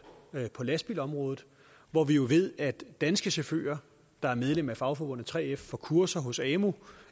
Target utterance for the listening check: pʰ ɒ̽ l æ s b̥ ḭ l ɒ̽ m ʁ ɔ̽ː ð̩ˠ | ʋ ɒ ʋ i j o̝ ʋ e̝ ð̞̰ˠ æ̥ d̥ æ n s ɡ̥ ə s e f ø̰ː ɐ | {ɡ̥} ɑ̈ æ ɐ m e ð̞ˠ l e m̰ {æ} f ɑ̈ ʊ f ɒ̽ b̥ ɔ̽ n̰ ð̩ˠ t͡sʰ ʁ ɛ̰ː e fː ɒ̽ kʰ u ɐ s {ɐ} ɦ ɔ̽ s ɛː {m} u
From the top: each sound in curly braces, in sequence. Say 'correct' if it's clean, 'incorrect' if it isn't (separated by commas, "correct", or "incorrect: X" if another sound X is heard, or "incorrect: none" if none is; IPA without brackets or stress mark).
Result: incorrect: d̥, correct, correct, correct